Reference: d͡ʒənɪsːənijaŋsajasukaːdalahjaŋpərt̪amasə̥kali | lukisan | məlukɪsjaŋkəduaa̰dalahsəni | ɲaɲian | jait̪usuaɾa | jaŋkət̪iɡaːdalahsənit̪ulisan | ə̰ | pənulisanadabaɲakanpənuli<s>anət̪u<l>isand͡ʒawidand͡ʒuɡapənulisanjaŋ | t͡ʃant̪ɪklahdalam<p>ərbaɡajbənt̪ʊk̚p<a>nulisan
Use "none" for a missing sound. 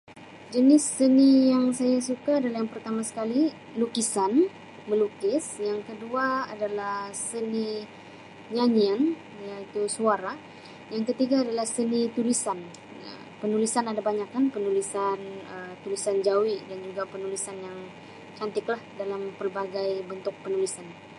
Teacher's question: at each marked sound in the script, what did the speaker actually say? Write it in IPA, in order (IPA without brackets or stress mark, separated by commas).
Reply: s, l, p, ə